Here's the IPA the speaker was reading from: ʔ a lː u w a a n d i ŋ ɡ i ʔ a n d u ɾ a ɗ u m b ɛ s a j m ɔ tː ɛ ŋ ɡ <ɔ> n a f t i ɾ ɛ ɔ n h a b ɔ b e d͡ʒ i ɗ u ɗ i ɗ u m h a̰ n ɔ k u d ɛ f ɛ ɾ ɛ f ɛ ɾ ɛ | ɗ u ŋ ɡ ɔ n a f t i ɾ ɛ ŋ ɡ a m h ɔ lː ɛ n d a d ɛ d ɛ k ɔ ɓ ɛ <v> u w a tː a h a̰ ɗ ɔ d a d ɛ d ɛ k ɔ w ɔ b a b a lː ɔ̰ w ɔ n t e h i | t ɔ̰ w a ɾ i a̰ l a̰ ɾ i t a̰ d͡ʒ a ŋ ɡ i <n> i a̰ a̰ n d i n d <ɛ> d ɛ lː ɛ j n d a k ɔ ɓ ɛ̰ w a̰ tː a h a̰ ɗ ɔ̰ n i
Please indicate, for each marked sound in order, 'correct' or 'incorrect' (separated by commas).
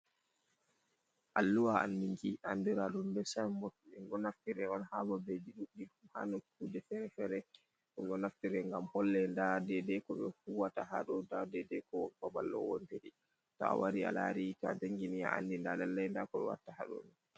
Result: correct, incorrect, correct, incorrect